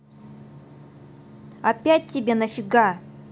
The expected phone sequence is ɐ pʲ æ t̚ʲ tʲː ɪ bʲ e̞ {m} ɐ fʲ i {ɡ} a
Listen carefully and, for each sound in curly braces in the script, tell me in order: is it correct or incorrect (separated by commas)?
incorrect, correct